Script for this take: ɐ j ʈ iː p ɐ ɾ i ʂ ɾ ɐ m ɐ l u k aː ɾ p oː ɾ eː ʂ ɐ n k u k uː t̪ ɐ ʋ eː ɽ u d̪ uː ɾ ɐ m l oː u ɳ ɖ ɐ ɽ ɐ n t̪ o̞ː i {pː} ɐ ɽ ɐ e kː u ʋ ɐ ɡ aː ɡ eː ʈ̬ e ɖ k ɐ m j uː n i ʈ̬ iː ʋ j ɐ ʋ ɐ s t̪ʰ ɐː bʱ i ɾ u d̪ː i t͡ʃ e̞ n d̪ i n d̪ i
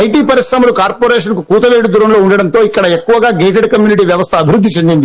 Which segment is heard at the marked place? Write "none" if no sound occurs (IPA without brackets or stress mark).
kː